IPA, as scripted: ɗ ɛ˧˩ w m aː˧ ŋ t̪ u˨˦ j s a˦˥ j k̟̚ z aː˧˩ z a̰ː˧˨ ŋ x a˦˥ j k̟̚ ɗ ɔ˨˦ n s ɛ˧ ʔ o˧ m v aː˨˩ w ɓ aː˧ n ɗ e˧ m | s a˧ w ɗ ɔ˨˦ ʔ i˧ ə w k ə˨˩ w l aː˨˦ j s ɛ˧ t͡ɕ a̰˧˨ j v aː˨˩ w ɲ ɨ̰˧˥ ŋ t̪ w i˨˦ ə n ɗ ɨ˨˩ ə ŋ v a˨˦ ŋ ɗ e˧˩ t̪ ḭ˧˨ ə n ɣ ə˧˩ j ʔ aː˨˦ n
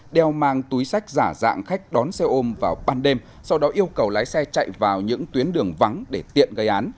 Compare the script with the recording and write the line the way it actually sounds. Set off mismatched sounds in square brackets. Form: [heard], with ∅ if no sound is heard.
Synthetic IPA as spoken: ɗ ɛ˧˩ w m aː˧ ŋ t̪ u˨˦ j s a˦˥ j k̟̚ z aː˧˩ z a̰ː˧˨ ŋ x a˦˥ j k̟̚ ɗ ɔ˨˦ n s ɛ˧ ʔ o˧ m v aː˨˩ w ɓ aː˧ n ɗ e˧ m | s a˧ w ɗ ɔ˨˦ ʔ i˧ ə w k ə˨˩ w l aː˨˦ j s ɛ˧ t͡ɕ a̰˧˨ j v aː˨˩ w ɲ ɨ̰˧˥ ŋ t̪ w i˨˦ ə n ɗ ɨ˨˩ ə ŋ v a˨˦ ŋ ɗ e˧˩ t̪ ḭ˧˨ ə n ɣ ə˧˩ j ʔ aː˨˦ n